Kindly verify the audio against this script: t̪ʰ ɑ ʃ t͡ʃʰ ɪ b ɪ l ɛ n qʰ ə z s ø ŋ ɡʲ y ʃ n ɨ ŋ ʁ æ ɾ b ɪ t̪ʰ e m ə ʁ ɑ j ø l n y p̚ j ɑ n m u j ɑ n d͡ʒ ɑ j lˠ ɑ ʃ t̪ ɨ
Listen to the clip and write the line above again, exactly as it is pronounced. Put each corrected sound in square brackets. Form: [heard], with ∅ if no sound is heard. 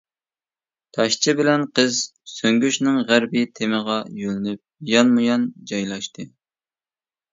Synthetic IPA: t̪ʰ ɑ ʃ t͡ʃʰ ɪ b ɪ l ɛ n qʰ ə z s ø ŋ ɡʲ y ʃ n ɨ ŋ ʁ æ ɾ b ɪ t̪ʰ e m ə ʁ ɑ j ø l n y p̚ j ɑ n m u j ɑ n d͡ʒ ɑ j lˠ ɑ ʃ t̪ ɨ